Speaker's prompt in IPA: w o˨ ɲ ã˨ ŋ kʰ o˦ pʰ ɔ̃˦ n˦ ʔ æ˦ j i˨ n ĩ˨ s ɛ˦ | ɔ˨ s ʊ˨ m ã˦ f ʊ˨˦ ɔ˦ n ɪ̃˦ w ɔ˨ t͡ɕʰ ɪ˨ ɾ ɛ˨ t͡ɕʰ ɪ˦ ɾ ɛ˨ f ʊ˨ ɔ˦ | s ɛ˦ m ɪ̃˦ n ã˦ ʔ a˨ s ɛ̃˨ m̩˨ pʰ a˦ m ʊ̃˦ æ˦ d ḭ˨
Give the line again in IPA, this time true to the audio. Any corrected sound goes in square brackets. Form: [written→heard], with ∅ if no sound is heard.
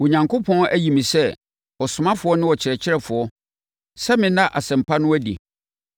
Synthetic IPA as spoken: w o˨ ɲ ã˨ ŋ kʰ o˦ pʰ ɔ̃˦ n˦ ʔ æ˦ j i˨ [n→m] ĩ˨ s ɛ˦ | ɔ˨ s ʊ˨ m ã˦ f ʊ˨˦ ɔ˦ n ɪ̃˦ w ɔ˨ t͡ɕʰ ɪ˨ ɾ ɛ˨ t͡ɕʰ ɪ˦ ɾ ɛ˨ f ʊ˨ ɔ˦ | s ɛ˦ m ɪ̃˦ n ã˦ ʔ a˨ s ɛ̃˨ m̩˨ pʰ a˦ [m→n] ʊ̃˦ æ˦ d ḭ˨